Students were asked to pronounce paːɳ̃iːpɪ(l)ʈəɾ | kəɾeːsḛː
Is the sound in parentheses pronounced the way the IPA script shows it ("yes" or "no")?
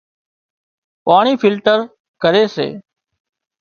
yes